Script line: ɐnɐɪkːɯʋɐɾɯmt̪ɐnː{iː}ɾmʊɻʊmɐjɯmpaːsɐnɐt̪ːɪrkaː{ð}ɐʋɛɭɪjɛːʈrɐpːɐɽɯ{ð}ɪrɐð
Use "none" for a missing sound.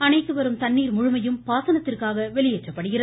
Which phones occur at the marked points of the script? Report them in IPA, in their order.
iː, ɣ, ɣ

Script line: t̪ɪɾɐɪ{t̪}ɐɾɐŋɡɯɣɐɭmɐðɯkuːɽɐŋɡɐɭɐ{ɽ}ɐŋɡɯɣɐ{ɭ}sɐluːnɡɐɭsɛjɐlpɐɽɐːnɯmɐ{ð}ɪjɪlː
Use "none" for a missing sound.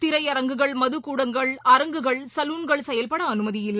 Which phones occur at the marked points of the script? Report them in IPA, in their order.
none, ɾ, ɭ, ð

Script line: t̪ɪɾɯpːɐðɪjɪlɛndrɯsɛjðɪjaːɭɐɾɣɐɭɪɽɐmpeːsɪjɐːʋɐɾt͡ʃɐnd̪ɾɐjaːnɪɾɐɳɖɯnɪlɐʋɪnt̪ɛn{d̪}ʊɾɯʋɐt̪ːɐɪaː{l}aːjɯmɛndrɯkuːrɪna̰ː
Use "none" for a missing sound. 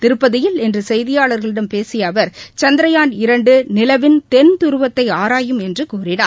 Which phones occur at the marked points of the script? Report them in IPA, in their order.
t̪, ɾ

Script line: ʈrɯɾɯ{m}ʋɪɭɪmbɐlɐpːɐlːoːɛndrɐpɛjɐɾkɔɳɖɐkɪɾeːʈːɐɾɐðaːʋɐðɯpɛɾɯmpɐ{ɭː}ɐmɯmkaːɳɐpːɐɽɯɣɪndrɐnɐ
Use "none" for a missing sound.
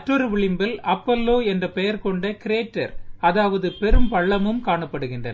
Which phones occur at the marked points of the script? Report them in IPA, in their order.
none, ɭː

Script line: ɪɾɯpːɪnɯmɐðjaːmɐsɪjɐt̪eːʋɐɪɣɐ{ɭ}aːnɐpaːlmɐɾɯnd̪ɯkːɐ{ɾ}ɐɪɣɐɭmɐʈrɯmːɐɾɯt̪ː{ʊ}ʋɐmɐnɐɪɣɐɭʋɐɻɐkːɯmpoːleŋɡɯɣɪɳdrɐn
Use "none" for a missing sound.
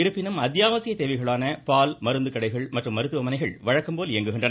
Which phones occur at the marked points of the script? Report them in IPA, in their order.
ɭ, ɽ, ɯ

